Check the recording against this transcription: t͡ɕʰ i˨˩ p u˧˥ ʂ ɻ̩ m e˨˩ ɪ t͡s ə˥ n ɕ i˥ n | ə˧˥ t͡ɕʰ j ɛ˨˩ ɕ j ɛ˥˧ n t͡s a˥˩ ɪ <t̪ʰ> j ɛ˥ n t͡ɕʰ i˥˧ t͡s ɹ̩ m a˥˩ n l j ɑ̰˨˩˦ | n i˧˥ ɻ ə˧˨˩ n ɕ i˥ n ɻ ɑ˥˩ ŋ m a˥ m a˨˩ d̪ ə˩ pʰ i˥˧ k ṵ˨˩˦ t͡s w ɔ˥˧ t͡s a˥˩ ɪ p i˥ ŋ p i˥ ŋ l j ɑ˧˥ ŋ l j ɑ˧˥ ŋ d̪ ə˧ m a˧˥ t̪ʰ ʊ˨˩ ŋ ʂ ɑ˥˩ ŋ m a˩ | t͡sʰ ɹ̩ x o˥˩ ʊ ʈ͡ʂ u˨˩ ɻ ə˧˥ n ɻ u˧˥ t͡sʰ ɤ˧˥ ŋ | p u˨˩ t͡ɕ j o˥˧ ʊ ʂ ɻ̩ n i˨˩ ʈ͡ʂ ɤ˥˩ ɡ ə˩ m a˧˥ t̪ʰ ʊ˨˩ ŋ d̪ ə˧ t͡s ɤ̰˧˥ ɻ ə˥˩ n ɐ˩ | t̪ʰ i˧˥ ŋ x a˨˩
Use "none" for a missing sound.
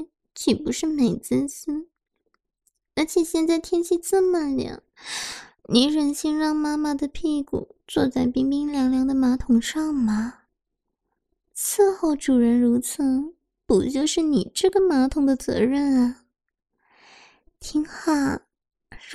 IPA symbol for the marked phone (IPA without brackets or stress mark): t̪ʰ